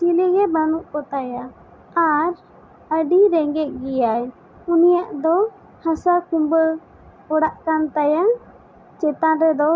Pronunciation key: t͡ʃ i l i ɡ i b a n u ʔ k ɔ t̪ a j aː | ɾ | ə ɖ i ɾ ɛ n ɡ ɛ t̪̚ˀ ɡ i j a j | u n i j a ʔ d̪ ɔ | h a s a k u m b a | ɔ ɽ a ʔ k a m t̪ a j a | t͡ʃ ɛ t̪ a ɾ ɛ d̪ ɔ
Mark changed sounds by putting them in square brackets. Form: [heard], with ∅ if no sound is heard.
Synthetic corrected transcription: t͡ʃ i l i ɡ [ɛ] b a n u ʔ k ɔ t̪ a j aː | ɾ | ə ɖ i ɾ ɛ [ŋ] ɡ ɛ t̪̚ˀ ɡ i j a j | u n i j a ʔ d̪ ɔ | h a s a k u m b [ə] | ɔ ɽ a ʔ k a [n] t̪ a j a | t͡ʃ ɛ t̪ a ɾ ɛ d̪ ɔ